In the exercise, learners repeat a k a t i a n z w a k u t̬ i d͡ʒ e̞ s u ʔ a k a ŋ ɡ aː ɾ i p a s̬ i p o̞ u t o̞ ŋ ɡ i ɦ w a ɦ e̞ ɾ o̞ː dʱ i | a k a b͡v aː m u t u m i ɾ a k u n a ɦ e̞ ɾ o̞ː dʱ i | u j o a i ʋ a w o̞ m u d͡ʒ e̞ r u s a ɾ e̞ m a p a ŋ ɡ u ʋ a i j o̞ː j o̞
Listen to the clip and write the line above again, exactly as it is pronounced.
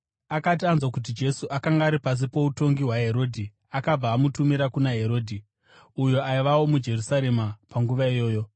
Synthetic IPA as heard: a k a t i a n z w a k u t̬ i d͡ʒ e̞ s u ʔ a k a ŋ ɡ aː ɾ i p a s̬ i p o̞ u t o̞ ŋ ɡ i ɦ w a ɦ e̞ ɾ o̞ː dʱ i | a k a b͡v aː m u t u m i ɾ a k u n a ɦ e̞ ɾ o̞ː dʱ i | u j o a i ʋ a w o̞ m u d͡ʒ e̞ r u s a ɾ e̞ m a p a ŋ ɡ u ʋ a i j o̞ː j o̞